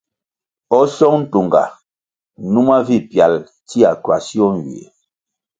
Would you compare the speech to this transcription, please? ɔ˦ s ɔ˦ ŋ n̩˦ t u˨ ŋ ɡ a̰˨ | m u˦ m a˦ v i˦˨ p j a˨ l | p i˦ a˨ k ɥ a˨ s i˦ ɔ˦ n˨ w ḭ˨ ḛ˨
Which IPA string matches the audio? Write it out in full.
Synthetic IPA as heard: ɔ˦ s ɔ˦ ŋ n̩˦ t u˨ ŋ ɡ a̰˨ | n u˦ m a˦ v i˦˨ p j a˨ l | t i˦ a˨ k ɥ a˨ s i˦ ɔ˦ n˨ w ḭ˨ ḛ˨